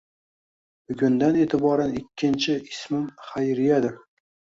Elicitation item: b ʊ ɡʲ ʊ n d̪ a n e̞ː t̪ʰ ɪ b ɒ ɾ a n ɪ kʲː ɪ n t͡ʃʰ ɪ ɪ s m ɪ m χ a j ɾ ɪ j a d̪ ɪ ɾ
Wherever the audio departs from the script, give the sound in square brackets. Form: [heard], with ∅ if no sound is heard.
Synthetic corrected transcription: b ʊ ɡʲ ʊ n d̪ a n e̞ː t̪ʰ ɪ b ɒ ɾ a n ɪ kʲː ɪ n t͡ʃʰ ɪ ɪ s m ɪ m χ a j ɾ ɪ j a d̪ ɪ ɾ